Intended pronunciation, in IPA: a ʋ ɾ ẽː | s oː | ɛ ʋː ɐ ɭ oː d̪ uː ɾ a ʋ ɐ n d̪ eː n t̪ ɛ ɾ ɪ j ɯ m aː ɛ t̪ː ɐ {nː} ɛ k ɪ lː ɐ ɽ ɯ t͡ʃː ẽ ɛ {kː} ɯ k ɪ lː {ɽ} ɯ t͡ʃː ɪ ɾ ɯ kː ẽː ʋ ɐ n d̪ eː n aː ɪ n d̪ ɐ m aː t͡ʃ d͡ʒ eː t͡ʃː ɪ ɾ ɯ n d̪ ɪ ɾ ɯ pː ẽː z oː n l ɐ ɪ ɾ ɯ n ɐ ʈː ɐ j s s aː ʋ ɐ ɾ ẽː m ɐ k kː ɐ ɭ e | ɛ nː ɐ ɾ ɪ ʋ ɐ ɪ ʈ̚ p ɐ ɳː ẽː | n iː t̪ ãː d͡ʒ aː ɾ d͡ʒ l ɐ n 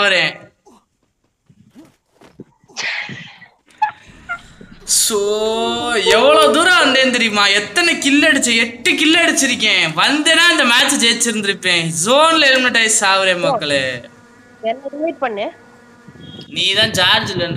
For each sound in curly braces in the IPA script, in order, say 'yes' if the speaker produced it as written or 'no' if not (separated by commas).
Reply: no, no, yes